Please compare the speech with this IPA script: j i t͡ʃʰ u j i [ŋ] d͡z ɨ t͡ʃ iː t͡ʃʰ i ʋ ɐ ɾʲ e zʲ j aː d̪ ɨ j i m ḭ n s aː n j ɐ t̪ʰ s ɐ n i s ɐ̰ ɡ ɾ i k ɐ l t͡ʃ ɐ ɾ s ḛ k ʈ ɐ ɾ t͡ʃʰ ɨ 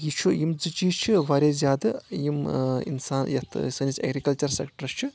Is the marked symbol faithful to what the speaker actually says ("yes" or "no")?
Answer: no